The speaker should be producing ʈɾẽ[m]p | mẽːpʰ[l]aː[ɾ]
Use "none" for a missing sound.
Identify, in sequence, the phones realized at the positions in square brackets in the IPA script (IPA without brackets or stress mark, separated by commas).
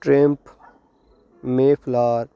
m, l, ɾ